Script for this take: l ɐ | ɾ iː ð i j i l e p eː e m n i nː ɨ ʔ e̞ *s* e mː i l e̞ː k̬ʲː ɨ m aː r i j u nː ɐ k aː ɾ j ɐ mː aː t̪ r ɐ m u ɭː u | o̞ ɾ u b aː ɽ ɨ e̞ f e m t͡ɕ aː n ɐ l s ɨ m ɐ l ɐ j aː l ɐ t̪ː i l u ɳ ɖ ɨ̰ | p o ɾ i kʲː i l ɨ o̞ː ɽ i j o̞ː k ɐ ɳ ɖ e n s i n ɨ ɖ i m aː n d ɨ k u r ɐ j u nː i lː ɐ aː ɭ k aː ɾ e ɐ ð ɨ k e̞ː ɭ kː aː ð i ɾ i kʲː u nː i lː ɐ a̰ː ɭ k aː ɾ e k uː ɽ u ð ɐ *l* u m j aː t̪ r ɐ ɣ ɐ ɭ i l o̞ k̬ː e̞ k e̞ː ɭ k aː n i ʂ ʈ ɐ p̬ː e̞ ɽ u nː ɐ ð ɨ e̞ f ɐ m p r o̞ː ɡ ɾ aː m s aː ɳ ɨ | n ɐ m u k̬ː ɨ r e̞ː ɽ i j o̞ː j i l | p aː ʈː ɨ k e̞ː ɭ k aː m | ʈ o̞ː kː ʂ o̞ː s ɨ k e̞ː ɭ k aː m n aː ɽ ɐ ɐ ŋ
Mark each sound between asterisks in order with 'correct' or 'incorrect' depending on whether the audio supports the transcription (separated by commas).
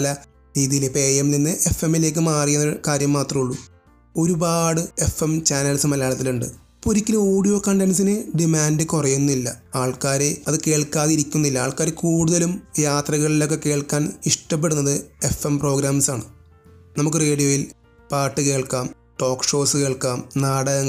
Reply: incorrect, correct